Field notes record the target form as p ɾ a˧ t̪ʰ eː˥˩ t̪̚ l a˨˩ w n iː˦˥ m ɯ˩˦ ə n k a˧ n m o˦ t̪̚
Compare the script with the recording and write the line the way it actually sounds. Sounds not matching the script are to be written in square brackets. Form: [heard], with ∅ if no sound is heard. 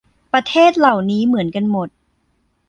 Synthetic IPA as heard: p ɾ a˧ t̪ʰ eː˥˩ t̪̚ l a˨˩ w n iː˦˥ m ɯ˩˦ ə n k a˧ n m [o˨˩] t̪̚